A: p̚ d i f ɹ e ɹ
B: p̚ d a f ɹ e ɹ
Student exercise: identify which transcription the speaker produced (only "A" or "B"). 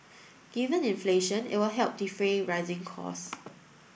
A